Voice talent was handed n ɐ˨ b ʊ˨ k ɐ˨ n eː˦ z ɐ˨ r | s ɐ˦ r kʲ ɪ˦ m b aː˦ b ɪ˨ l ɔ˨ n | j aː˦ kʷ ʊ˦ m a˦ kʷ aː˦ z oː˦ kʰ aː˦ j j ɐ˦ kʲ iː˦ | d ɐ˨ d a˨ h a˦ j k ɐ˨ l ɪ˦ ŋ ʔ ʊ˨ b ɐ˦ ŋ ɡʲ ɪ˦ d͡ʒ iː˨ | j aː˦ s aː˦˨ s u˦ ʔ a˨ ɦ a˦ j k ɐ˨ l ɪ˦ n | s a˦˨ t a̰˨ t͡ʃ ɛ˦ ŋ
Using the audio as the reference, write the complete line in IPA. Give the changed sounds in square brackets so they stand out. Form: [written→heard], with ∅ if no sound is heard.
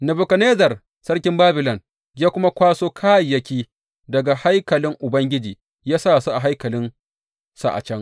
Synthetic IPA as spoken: n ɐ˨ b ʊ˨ k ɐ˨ n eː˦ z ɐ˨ r | s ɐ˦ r kʲ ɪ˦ m b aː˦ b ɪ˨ l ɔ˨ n | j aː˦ kʷ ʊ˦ m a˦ kʷ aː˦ [z→s] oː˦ kʰ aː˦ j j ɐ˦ kʲ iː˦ | d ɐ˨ [d→ɡ] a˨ h a˦ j k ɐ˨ l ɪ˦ ŋ ʔ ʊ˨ b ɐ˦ ŋ ɡʲ ɪ˦ d͡ʒ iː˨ | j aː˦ s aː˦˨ s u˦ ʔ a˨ ɦ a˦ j k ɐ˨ l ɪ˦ n | s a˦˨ [t→ʔ] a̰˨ t͡ʃ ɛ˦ ŋ